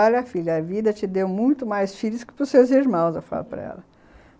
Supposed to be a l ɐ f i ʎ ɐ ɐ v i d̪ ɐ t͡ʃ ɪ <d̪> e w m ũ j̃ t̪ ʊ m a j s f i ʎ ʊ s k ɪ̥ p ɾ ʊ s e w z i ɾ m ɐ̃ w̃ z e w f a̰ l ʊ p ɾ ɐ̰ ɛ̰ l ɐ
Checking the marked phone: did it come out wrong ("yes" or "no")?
no